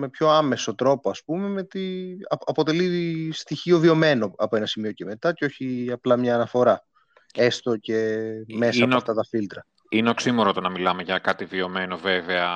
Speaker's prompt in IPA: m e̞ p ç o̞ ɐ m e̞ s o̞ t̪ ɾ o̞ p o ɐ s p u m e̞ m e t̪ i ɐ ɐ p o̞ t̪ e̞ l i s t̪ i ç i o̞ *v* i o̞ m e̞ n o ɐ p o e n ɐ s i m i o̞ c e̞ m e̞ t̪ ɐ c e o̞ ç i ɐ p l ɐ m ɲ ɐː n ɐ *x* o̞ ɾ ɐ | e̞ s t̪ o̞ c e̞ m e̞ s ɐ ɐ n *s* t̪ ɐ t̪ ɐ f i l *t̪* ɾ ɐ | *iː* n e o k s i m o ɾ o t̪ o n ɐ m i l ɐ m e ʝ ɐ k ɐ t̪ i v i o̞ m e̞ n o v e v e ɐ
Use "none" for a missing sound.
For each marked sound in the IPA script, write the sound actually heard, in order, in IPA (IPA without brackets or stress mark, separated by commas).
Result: v, f, f, t̪, i